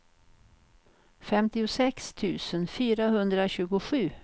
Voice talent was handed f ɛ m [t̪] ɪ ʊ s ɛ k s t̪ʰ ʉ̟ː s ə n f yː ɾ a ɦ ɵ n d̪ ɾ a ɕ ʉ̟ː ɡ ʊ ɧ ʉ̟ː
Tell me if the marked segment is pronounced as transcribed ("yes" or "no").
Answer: yes